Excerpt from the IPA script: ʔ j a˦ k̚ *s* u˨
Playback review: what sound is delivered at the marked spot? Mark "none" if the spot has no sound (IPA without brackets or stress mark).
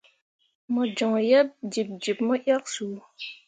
s